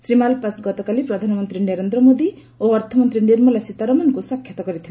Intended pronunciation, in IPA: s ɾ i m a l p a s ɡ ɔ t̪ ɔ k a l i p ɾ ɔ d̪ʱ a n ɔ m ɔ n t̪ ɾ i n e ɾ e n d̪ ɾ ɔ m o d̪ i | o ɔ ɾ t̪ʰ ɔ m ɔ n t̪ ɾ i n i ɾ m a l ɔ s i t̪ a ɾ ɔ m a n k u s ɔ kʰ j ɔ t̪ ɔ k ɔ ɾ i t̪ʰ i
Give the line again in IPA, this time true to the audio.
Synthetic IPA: s ɾ i m a l p a s ɡ ɔ t̪ ɔ k a l i p ɾ ɔ d̪ʱ a n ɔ m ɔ n t̪ ɾ i n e ɾ e n d̪ ɾ ɔ m o d̪ i | o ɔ ɾ t̪ʰ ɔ m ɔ n t̪ ɾ i n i ɾ m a l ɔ s i t̪ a ɾ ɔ m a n k u s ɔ kʰ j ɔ t̪ ɔ k ɔ ɾ i t̪ʰ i